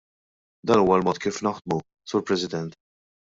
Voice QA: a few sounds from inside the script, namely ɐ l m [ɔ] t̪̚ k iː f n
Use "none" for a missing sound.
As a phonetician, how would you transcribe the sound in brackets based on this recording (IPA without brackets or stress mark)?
ɔː